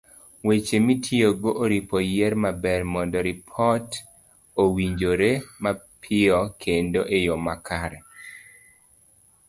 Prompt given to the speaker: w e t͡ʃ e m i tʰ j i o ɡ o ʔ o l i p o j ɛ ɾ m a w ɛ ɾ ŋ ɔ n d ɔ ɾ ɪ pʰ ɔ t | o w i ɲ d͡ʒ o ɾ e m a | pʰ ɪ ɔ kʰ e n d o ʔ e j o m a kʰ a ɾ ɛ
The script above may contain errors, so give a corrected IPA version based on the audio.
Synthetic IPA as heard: w e t͡ʃ e m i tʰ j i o ɡ o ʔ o ɾ i p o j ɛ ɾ m a b ɛ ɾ m ɔ n d ɔ ɾ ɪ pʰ ɔ t | o w i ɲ d͡ʒ o ɾ e m a | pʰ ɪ ɔ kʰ e n d o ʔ e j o m a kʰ a ɾ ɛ